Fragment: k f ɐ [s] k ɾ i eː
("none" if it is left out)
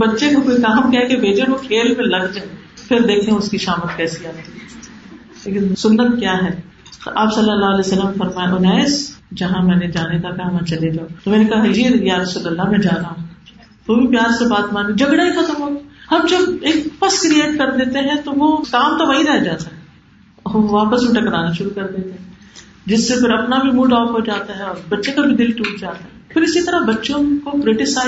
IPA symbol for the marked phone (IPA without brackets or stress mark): s